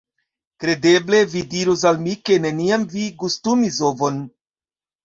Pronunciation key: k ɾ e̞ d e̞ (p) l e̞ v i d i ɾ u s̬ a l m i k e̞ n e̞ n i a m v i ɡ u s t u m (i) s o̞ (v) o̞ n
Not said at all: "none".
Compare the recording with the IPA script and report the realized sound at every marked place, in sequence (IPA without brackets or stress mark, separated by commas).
b, i, v